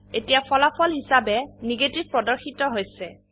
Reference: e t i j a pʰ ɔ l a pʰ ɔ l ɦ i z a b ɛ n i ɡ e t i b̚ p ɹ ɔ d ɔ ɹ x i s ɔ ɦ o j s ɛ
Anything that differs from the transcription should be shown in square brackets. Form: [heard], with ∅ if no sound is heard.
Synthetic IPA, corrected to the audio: e t i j a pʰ ɔ l a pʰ ɔ l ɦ i [s] a b ɛ n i ɡ e t i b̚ p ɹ ɔ d ɔ ɹ x i [t] ɔ ɦ o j s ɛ